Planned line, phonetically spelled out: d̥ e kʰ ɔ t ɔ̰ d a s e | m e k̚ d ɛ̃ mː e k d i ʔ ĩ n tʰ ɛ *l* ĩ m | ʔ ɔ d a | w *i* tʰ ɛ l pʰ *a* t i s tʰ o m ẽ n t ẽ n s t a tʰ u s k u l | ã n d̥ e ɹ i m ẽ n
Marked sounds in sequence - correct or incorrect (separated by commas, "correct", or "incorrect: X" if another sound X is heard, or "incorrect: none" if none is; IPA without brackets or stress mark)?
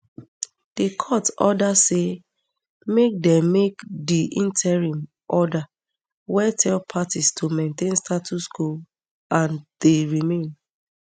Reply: incorrect: ɹ, incorrect: ɛ, correct